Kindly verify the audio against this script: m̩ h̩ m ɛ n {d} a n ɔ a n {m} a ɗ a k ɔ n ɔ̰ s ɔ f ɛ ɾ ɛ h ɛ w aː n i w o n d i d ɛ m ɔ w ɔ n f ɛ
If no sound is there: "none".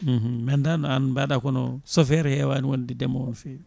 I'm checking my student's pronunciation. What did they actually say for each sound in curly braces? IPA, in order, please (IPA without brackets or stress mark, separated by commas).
d, b